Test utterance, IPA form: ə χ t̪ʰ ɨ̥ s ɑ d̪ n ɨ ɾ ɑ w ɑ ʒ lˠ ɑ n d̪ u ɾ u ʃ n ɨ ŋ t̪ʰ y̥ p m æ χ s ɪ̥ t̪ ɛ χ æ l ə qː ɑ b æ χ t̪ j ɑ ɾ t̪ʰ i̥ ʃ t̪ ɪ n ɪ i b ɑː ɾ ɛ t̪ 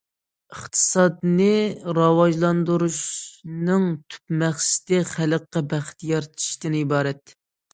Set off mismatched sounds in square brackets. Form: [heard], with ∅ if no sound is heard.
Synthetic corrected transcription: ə χ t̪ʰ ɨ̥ s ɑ d̪ n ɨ ɾ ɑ w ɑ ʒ lˠ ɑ n d̪ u ɾ u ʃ n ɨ ŋ t̪ʰ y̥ p m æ χ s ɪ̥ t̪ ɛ χ æ l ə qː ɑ b æ χ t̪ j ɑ ɾ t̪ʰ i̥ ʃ t̪ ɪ n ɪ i b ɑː ɾ ɛ t̪